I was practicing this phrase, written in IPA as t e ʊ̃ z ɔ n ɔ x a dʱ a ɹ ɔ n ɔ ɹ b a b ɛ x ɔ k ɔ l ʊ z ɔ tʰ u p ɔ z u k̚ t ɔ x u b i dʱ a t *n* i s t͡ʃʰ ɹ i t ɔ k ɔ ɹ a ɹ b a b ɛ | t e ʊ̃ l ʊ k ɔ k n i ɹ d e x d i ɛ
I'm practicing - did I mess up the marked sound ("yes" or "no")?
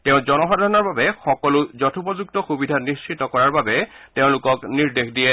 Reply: no